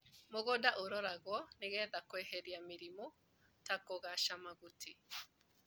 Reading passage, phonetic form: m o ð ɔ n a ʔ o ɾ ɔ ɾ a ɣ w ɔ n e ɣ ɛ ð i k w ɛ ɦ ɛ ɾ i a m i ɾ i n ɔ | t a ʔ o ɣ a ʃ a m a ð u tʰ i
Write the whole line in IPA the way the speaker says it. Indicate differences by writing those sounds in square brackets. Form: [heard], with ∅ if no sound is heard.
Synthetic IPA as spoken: m o [ɣ] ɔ [d] a ʔ o ɾ ɔ ɾ a ɣ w ɔ n e ɣ ɛ ð [a] k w ɛ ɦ ɛ ɾ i a m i ɾ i [m] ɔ | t a [k] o ɣ a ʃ a m a [ɣ] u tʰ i